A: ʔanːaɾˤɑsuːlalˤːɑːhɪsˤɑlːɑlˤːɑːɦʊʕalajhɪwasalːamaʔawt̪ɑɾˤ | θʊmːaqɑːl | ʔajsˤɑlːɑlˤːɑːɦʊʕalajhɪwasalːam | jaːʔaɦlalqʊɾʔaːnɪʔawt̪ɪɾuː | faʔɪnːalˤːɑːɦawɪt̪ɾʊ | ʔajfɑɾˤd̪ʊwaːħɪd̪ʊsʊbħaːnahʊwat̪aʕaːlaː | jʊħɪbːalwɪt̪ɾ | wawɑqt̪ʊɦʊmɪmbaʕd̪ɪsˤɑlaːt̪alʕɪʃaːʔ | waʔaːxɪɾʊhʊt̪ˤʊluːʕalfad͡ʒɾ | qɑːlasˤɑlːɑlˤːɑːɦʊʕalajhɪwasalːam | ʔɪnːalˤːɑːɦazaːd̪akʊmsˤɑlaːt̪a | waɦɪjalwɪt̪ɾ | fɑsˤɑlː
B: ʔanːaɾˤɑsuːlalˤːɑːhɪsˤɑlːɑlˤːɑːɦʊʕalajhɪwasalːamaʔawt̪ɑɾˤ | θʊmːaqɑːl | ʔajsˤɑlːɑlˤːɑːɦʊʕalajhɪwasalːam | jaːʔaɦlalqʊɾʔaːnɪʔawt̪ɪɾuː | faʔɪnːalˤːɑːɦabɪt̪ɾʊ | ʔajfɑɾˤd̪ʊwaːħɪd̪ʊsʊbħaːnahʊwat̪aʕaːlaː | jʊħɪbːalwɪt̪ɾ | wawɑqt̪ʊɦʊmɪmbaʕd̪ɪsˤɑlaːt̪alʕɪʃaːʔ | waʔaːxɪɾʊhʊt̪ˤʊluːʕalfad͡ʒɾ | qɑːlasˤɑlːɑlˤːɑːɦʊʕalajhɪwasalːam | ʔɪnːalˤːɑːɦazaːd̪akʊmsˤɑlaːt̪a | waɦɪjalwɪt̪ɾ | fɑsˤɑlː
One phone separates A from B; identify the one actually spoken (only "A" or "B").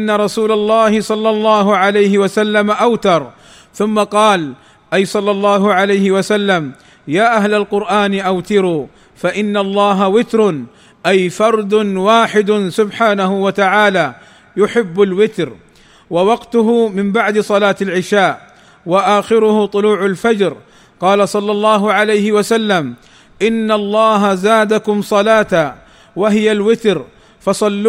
A